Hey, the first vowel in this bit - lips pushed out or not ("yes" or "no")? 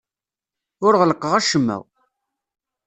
yes